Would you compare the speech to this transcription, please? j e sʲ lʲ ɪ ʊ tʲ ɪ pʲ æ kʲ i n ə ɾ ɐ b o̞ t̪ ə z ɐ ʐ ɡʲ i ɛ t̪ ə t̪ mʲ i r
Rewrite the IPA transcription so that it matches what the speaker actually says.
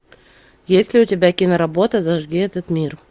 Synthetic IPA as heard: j e sʲ lʲ ɪ ʊ tʲ ɪ bʲ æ kʲ i n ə ɾ ɐ b o̞ t̪ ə z ɐ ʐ ɡʲ i ɛ t̪ ə t̪ mʲ i r